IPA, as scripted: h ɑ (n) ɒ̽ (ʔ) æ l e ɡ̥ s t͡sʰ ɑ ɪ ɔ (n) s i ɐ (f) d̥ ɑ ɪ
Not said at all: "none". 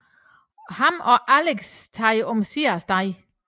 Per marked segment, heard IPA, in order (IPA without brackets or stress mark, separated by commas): m, ʔ, m, s